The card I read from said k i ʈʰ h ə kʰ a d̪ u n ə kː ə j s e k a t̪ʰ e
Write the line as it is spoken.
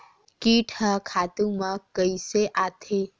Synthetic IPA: k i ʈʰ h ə kʰ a t̪ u m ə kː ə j s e ʔ a t̪ʰ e